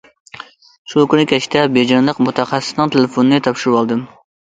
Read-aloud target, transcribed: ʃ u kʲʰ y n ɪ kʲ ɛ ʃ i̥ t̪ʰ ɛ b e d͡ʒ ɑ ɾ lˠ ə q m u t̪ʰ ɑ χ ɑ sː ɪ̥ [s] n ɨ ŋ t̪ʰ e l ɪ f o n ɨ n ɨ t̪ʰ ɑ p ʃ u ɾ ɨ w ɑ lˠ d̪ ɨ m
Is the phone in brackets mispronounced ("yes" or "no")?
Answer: no